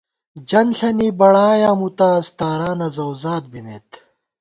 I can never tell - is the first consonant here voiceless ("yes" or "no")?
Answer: no